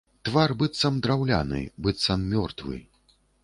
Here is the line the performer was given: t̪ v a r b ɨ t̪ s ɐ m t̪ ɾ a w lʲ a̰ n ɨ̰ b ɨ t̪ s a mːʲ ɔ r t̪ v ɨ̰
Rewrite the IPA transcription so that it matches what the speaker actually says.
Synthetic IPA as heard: t̪ v a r b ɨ t̪ s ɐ m d̪ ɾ a w lʲ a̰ n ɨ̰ b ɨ t̪ s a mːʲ ɔ r t̪ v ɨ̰